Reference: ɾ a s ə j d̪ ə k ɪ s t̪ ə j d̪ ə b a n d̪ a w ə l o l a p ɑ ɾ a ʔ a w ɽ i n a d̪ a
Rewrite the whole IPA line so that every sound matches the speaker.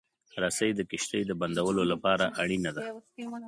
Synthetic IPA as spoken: ɾ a s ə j d̪ ə k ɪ ʃ t̪ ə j d̪ ə b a n d̪ a w ə l o l a p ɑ ɾ a ʔ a ɽ i n a d̪ a